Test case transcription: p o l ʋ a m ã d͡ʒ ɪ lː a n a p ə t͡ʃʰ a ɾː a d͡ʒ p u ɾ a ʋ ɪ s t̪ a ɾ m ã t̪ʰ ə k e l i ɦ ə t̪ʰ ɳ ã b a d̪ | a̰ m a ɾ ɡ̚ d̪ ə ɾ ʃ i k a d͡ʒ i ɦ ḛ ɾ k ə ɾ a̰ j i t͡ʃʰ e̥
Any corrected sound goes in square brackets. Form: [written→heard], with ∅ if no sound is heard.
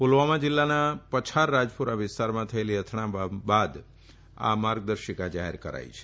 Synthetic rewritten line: p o l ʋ a m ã d͡ʒ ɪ lː a n a p ə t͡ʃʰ a ɾː a d͡ʒ p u ɾ a ʋ ɪ s t̪ a ɾ m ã t̪ʰ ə [k→∅] e l i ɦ ə t̪ʰ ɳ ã b a d̪ | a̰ m a ɾ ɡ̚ d̪ ə ɾ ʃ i k a d͡ʒ [i→a] ɦ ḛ ɾ k ə ɾ a̰ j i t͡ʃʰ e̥